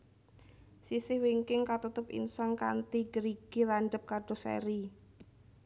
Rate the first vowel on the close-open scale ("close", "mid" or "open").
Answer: close